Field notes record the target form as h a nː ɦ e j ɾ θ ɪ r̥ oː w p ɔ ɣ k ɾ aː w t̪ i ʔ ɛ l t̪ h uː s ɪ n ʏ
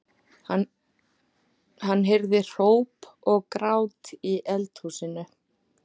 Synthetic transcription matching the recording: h a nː ɦ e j ɾ ð ɪ r̥ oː w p ɔ ɣ k ɾ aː w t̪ i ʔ ɛ l t̪ h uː s ɪ n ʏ